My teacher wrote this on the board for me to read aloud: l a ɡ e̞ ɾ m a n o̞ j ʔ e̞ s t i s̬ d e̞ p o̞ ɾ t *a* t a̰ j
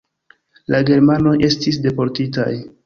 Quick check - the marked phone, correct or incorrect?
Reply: incorrect